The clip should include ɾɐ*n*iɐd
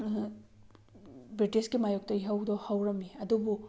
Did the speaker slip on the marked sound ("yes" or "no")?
yes